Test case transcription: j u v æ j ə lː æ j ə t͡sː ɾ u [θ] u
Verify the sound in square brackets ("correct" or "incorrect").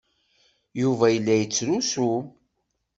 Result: incorrect